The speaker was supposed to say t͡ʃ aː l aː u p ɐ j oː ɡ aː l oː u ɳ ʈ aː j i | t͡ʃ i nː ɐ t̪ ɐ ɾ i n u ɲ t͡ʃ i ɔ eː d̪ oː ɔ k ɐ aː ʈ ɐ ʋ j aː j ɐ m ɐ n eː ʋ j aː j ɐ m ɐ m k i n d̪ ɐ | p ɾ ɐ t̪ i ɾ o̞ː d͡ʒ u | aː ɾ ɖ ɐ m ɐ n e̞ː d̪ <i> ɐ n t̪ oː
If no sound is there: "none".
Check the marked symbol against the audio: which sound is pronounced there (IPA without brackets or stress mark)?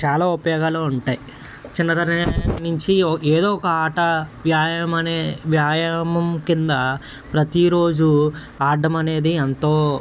i